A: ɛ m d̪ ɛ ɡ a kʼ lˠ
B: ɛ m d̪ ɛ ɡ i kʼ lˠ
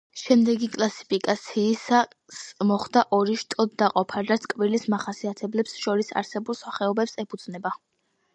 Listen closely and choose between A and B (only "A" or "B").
B